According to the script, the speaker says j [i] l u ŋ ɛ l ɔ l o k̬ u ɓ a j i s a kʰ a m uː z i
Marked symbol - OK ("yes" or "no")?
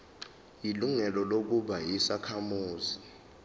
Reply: yes